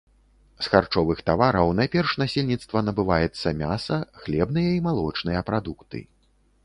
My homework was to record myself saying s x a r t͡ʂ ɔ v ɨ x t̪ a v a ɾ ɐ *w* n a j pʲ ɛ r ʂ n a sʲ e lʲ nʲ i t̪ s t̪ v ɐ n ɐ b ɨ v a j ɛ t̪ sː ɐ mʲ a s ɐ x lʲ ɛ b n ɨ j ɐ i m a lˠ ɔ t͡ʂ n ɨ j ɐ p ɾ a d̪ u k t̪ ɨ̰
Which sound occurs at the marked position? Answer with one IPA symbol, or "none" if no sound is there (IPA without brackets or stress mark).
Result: w